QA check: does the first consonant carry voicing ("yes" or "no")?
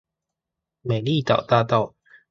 yes